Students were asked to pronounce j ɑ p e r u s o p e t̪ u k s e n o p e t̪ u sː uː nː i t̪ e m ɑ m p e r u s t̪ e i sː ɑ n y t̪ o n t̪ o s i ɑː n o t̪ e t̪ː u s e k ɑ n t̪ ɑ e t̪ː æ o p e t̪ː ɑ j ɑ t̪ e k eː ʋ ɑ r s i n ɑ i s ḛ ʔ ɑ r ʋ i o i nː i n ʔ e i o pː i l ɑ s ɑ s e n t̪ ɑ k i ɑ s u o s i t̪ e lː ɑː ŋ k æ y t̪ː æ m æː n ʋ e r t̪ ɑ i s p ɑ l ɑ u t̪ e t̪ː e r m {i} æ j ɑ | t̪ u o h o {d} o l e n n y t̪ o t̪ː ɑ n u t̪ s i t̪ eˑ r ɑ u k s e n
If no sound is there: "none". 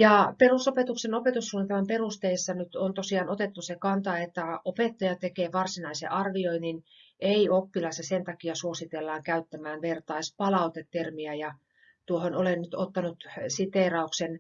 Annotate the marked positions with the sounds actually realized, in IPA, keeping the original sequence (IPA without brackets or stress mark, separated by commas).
i, n